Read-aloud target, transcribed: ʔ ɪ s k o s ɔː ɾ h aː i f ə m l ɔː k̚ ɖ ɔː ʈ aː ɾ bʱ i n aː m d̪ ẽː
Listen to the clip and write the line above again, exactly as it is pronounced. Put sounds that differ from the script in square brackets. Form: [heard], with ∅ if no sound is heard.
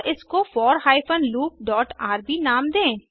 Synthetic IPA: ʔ ɪ s k o [f] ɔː ɾ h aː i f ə [n] l [uː] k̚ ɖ ɔː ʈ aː ɾ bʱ i n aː m d̪ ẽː

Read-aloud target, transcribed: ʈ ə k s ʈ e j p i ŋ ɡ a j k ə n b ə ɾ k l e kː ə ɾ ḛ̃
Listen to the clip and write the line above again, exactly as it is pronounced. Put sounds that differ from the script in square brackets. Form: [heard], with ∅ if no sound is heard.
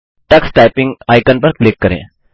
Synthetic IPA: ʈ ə k s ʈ [a] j p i ŋ ɡ a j k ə n [p] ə ɾ k l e kː ə ɾ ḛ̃

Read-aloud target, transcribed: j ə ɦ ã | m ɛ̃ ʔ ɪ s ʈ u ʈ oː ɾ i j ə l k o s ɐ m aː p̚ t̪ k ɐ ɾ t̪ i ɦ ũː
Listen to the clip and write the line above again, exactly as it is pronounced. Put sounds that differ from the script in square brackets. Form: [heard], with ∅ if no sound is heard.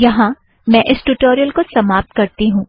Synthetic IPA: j [ɐ] ɦ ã | m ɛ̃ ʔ ɪ s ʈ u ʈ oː ɾ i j ə l k o s ɐ m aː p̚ t̪ k ɐ ɾ t̪ i ɦ ũː

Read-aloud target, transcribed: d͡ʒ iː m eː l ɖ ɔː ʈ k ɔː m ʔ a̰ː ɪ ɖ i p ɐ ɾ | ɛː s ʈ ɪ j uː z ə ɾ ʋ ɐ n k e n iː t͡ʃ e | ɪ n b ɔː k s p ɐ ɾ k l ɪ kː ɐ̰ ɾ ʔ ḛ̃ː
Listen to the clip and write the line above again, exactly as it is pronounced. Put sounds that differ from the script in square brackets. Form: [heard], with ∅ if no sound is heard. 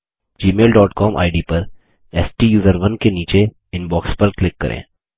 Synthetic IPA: d͡ʒ iː m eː l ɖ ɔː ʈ k ɔː m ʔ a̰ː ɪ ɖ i p ɐ ɾ | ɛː s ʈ [i] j uː z ə ɾ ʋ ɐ n k e n iː t͡ʃ e | ɪ n b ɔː k s p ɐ ɾ k l ɪ kː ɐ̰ ɾ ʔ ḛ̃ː

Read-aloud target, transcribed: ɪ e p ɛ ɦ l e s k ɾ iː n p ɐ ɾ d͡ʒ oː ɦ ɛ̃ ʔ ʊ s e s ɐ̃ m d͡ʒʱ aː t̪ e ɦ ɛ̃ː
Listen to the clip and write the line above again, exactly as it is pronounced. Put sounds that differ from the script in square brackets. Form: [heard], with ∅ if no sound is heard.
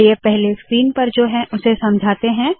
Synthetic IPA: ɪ e p ɛ ɦ l e s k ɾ iː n p ɐ ɾ d͡ʒ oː ɦ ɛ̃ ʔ ʊ s e s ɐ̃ m d͡ʒʱ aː t̪ e ɦ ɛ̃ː

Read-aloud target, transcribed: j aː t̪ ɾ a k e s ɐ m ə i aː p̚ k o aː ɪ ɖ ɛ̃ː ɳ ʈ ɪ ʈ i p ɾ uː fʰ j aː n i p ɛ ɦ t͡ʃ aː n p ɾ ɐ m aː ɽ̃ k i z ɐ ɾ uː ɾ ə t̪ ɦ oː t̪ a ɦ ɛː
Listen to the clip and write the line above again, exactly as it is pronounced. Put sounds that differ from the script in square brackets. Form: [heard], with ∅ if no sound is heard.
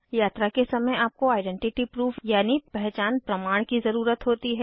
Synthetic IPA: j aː t̪ ɾ a k e s ɐ m ə [j] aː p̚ k o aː ɪ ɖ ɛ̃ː ɳ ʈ ɪ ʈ i p ɾ uː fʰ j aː n i p ɛ ɦ t͡ʃ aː n p ɾ ɐ m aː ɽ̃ k i z ɐ ɾ uː ɾ ə t̪ ɦ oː t̪ [i] ɦ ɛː

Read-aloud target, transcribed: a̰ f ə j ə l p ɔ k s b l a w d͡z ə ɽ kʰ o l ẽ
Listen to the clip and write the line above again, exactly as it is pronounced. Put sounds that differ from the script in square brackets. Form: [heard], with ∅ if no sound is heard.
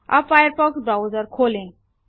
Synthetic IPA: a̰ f [a] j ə [ɾ] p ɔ k s b [ɾ] a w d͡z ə [ɾ] kʰ o l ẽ

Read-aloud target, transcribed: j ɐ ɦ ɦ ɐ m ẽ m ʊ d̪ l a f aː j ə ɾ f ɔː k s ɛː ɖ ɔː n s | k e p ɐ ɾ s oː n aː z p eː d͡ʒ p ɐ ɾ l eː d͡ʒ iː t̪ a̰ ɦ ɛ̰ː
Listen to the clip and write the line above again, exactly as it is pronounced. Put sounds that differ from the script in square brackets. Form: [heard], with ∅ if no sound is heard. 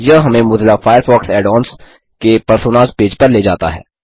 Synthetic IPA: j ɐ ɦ ɦ ɐ m ẽ m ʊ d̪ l a f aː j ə ɾ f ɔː k s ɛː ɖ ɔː n s | k e p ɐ ɾ s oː n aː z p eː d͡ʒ p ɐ ɾ l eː d͡ʒ [aː] t̪ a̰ ɦ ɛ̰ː

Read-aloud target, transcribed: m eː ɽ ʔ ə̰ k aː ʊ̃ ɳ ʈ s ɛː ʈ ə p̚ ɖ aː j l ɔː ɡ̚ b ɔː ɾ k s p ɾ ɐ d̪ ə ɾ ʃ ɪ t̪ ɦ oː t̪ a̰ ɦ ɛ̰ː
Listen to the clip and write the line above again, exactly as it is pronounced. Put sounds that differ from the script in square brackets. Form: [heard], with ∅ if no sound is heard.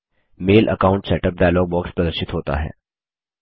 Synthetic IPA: m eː [l] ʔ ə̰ k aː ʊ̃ ɳ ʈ s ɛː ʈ ə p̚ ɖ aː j l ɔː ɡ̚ b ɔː [∅] k s p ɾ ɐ d̪ ə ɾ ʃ ɪ t̪ ɦ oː t̪ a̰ ɦ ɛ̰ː

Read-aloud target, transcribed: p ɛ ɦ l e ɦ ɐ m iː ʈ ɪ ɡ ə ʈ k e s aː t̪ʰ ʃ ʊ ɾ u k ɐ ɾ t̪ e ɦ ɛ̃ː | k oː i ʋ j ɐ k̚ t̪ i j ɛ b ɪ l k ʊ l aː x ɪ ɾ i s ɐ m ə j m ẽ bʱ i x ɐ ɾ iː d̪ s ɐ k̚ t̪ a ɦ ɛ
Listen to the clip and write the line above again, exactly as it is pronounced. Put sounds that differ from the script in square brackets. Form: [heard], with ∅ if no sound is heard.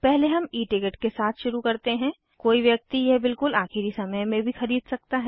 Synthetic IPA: p ɛ ɦ l e ɦ ɐ m iː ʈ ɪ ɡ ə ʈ k e s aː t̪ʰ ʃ ʊ ɾ u k ɐ ɾ t̪ e ɦ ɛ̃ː | k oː i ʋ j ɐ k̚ t̪ i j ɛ b ɪ l k ʊ l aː x ɪ ɾ i s ɐ m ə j m ẽ bʱ i x ɐ ɾ iː d̪ s ɐ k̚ t̪ a ɦ ɛ

